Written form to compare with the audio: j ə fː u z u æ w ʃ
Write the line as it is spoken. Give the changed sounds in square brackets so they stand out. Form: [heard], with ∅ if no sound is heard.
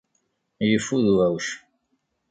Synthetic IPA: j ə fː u [ð] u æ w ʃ